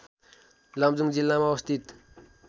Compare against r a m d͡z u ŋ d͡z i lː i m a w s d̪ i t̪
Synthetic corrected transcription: l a m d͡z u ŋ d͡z i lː a m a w s t̪ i t̪